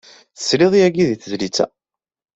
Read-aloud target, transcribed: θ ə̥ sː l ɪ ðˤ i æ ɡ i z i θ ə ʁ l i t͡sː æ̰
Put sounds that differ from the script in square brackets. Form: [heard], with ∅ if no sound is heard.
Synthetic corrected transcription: θ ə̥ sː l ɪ ðˤ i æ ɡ i [ð] i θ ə [z] l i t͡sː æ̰